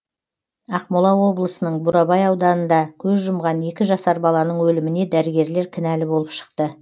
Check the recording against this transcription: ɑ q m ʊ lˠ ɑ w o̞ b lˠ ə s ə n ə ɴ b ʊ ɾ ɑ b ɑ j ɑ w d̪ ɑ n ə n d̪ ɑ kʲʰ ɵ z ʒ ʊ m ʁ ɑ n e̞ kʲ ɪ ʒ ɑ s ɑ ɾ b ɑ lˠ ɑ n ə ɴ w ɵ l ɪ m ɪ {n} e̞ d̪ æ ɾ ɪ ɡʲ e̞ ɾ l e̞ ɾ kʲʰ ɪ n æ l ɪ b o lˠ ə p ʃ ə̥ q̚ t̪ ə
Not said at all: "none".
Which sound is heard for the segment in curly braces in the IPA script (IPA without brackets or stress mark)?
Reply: n